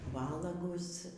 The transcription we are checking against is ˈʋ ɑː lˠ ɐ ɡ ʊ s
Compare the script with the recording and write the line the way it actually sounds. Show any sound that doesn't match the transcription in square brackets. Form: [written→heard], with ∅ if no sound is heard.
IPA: ˈʋ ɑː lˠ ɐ ɡ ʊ s

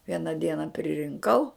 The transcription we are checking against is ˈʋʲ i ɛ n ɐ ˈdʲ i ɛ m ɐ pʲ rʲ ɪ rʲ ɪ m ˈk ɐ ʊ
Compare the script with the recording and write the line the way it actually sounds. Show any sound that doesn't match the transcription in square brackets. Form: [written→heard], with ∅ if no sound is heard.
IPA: ˈʋʲ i ɛ n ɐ ˈdʲ i ɛ [m→n] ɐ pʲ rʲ ɪ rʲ ɪ [m→ŋ] ˈk ɐ ʊ

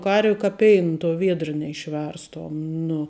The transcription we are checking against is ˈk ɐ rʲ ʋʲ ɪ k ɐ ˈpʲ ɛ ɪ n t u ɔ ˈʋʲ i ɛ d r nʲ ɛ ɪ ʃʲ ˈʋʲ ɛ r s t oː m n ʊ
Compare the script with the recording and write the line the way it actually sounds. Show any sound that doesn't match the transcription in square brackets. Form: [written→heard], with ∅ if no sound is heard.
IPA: ˈk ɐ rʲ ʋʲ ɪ k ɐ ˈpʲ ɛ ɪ n t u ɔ ˈʋʲ i ɛ d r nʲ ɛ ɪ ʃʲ ˈʋʲ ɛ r s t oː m n ʊ

